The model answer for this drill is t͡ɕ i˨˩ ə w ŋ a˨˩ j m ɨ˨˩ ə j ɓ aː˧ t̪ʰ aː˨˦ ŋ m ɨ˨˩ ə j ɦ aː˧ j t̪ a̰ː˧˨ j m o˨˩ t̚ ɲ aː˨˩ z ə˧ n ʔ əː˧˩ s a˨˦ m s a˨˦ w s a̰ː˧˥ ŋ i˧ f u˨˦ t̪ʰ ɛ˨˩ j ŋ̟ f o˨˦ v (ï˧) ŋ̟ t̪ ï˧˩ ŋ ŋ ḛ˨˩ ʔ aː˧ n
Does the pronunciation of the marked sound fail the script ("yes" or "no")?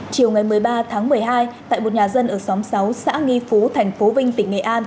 no